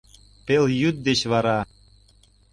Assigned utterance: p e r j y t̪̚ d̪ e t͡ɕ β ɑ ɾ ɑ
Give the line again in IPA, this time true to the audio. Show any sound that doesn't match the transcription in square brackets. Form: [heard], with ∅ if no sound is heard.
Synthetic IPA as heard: p e [l] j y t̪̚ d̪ e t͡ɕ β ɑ ɾ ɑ